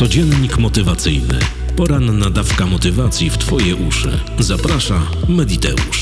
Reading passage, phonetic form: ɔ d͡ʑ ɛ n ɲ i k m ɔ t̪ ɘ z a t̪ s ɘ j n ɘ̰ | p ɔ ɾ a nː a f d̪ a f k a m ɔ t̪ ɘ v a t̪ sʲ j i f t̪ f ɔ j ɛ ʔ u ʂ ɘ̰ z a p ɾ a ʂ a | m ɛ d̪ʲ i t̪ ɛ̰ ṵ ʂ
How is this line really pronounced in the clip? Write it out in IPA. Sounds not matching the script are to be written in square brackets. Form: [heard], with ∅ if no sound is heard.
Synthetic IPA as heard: ɔ d͡ʑ ɛ n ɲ i k m ɔ t̪ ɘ [v] a t̪ s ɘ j n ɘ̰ | p ɔ ɾ a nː a [∅] d̪ a f k a m ɔ t̪ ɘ v a t̪ sʲ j i f t̪ f ɔ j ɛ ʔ u ʂ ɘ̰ z a p ɾ a ʂ a | m ɛ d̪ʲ i t̪ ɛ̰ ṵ ʂ